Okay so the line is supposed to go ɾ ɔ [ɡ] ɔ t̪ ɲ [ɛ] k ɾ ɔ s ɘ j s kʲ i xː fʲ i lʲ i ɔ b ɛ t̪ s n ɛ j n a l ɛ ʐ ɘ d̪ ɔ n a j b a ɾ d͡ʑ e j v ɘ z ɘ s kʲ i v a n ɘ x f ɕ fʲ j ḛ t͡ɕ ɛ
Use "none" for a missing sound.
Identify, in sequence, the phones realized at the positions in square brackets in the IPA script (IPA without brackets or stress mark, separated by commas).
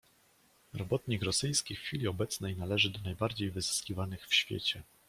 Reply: b, i